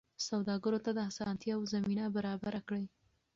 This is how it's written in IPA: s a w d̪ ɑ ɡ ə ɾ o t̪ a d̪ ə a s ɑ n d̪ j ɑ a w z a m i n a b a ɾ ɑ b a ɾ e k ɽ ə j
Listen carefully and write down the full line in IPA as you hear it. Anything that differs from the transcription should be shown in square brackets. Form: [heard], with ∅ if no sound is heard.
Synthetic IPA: s a w d̪ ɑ ɡ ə ɾ o t̪ a d̪ ə a s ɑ n [t̪] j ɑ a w z a m i n a b a ɾ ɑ b a ɾ [a] k ɽ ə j